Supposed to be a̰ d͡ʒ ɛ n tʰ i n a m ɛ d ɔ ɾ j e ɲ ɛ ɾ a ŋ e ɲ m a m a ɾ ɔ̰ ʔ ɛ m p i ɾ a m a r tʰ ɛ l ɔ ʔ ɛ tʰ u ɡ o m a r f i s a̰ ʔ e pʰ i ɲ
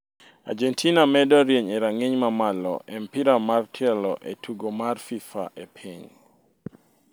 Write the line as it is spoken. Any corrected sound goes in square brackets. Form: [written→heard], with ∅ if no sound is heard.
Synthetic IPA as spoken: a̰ d͡ʒ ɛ n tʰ i n a m ɛ d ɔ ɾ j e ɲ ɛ ɾ a ŋ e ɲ m a m a [ɾ→l] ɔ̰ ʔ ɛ m p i ɾ a m a r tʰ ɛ l ɔ ʔ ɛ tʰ u ɡ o m a r f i [s→f] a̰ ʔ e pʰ i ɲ